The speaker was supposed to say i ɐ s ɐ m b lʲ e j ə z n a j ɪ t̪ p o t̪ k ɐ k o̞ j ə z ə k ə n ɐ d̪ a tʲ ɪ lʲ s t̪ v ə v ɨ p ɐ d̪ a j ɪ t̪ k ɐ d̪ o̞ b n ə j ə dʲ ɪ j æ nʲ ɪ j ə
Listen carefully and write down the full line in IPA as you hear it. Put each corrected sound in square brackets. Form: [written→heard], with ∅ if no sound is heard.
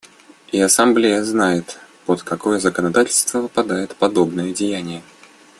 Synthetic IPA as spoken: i ɐ s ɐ m b lʲ e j ə z n a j ɪ t̪ p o t̪ k ɐ k o̞ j ə z ə k ə n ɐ d̪ a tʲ ɪ lʲ s t̪ v ə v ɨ p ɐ d̪ a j ɪ t̪ [k→p] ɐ d̪ o̞ b n ə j ə dʲ ɪ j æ nʲ ɪ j ə